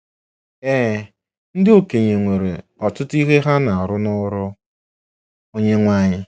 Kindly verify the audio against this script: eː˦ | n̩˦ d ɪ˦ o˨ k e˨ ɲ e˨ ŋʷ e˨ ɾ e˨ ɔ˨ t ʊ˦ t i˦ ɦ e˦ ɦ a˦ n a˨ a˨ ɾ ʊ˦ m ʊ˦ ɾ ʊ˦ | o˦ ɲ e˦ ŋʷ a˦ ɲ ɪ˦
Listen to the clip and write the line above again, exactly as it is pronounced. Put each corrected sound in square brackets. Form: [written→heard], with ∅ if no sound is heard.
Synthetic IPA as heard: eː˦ | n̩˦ d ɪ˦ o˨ k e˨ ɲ e˨ ŋʷ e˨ ɾ e˨ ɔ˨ t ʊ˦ t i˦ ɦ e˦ ɦ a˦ n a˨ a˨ ɾ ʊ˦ [m→n] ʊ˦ ɾ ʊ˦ | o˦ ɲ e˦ ŋʷ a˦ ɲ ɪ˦